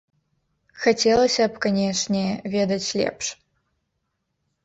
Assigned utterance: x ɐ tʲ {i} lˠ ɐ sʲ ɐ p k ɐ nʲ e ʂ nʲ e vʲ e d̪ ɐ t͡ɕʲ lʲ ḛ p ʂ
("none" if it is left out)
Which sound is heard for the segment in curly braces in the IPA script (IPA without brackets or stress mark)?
e